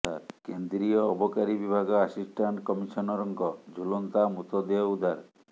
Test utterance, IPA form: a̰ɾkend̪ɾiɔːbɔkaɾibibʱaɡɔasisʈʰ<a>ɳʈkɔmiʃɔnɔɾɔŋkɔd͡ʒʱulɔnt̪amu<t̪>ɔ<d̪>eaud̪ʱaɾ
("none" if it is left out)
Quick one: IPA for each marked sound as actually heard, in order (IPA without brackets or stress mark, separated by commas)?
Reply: a, t̪, d̪